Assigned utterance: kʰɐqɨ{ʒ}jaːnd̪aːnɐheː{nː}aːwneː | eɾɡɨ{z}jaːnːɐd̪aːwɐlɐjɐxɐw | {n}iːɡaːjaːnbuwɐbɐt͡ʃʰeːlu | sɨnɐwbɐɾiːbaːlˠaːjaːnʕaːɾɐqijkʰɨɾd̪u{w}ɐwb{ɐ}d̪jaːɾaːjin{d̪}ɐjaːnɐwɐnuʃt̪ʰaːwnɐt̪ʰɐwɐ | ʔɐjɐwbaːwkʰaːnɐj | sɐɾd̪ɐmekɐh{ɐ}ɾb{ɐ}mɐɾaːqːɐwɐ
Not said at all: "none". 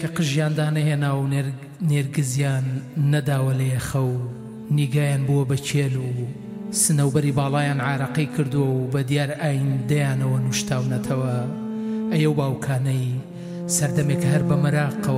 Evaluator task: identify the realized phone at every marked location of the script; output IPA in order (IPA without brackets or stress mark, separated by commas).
ʒ, n, z, n, w, ɐ, d̪, ɐ, ɐ